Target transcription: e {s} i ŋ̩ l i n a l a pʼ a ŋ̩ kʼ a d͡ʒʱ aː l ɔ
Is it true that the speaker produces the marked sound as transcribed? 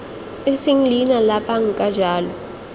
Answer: yes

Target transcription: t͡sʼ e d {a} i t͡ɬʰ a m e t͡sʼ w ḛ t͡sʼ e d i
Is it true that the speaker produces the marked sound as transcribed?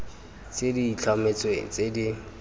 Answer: no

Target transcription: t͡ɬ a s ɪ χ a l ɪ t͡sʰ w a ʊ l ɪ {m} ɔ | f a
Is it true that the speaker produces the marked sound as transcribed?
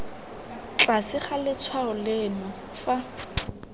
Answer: no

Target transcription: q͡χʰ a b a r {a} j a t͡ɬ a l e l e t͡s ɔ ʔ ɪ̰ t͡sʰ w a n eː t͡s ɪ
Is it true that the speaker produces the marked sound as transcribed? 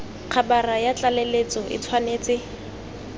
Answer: yes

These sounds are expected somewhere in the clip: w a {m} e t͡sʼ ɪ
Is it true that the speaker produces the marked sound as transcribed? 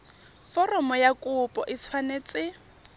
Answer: no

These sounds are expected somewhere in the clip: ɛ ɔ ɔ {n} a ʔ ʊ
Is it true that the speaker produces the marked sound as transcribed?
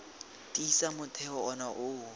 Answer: yes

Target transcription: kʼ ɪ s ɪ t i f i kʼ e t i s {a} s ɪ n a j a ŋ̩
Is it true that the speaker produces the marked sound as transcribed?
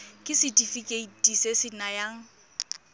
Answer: no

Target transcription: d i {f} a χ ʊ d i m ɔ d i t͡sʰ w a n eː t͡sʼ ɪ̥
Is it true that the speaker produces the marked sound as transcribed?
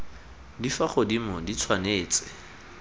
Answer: yes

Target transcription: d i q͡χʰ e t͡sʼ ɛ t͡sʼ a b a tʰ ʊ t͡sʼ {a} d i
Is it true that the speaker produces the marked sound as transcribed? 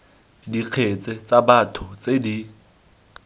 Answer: no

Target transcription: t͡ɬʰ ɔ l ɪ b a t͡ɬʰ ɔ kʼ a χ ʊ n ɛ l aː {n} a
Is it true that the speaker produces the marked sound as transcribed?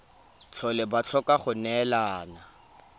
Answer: yes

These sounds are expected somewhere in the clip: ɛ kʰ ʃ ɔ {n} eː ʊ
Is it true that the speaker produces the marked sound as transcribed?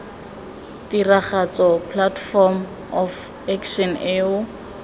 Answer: yes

